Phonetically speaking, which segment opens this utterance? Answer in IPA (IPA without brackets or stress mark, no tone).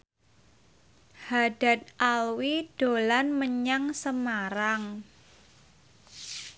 h